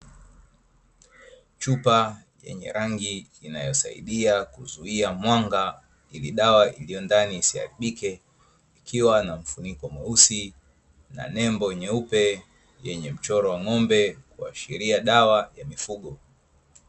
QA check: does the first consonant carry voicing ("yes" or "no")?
no